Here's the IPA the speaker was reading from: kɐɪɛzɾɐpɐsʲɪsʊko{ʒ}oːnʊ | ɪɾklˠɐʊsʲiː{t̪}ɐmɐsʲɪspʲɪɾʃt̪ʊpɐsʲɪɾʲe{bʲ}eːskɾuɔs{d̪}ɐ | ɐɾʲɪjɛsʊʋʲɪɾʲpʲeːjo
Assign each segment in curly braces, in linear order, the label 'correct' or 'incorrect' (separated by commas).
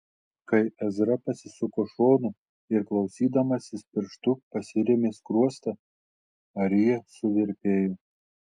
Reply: incorrect, incorrect, incorrect, incorrect